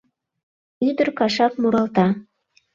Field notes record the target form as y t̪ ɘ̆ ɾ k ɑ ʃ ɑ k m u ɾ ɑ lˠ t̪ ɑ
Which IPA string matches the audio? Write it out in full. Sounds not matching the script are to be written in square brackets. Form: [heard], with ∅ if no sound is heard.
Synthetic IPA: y [d̪] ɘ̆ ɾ k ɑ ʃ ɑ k m u ɾ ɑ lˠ t̪ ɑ